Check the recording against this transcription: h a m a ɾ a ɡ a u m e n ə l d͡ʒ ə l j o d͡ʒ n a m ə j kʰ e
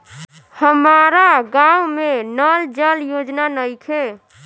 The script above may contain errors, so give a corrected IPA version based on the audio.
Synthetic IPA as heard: h ə m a ɾ a ɡ a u m e n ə l d͡ʒ ə l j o d͡ʒ n a n ə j kʰ e